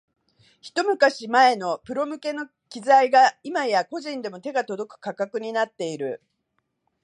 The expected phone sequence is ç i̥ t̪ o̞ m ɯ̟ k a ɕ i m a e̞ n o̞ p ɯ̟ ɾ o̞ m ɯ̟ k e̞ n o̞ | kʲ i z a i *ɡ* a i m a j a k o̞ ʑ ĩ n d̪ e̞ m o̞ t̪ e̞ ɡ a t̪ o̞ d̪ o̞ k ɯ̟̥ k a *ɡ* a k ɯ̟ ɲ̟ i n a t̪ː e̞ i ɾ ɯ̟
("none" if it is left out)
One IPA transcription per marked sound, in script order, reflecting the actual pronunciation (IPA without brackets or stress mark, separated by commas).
ɡ, k